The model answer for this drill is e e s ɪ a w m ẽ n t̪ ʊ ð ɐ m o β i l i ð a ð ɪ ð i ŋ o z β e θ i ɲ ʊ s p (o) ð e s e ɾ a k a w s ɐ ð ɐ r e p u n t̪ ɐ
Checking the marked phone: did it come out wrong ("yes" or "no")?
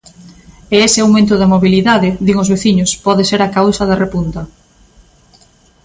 yes